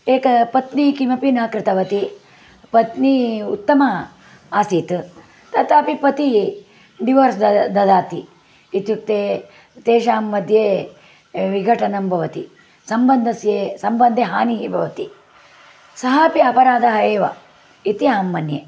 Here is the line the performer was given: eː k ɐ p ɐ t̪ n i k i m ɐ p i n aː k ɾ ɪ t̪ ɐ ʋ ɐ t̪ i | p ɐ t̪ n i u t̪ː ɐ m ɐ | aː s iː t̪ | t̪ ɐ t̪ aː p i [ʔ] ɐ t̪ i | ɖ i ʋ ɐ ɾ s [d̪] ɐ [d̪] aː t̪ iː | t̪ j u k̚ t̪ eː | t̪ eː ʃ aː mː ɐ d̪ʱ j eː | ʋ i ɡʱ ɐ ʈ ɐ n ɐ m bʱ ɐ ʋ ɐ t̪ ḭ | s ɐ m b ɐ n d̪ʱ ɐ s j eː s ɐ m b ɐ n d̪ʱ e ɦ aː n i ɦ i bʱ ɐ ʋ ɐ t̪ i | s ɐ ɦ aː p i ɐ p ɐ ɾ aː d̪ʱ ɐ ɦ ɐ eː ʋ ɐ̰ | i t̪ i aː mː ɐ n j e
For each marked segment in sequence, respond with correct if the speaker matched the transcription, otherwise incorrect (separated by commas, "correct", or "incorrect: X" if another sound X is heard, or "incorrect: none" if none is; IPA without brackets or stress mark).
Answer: incorrect: p, correct, correct